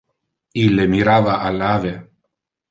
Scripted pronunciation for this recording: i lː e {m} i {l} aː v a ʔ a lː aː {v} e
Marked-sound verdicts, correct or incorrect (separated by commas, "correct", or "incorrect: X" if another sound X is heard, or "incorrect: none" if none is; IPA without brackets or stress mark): correct, incorrect: ɾ, correct